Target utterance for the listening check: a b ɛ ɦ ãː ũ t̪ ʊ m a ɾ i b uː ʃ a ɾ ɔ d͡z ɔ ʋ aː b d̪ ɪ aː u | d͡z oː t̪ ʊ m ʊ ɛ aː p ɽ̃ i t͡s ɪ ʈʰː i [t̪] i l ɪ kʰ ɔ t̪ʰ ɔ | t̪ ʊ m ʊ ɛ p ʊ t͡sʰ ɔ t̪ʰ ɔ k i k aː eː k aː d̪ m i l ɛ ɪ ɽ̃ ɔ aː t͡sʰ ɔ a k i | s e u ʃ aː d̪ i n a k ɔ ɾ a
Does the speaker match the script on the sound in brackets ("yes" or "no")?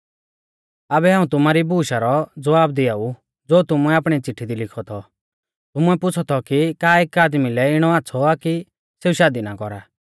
no